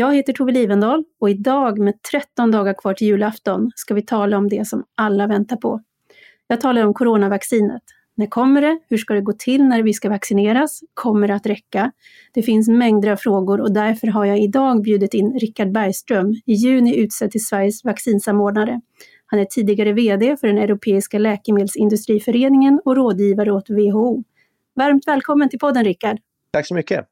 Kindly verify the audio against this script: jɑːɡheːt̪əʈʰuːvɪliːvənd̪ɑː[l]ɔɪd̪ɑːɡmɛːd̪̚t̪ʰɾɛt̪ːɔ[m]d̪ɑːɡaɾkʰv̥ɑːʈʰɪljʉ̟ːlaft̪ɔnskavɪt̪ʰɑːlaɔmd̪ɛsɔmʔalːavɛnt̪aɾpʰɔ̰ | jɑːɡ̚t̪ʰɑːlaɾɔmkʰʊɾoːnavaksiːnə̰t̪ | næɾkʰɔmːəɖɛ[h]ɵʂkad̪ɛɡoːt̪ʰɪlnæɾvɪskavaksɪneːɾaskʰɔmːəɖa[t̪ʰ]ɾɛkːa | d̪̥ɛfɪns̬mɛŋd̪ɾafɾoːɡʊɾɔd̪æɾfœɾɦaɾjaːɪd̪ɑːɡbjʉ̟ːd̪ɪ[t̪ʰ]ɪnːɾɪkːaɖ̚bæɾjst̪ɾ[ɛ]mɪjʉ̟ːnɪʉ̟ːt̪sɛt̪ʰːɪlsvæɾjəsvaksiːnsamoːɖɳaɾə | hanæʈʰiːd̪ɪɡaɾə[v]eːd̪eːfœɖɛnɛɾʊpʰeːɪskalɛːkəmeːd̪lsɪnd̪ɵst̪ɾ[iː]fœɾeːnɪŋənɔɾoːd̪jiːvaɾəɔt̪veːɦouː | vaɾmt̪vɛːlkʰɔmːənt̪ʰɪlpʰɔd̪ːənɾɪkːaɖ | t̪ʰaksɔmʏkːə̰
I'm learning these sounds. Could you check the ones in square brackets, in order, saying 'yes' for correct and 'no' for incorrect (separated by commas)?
yes, no, yes, no, no, no, yes, yes